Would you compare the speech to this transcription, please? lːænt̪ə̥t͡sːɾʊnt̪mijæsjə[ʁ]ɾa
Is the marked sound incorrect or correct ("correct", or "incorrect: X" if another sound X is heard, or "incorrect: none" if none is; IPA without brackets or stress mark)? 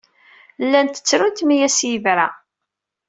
incorrect: v